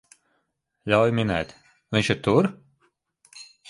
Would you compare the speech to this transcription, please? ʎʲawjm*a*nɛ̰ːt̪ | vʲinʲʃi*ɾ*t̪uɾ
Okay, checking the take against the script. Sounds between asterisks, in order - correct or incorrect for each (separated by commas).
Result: incorrect, correct